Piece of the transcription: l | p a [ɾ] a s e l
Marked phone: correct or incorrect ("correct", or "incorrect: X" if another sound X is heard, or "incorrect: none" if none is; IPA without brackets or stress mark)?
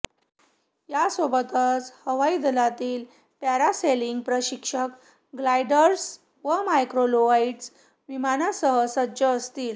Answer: correct